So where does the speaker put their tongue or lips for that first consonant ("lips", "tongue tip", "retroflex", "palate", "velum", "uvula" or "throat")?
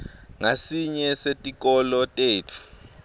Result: velum